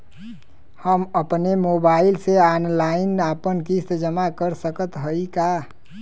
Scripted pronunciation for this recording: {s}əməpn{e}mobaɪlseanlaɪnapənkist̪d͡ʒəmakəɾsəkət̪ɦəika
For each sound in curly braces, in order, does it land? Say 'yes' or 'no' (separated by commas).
no, yes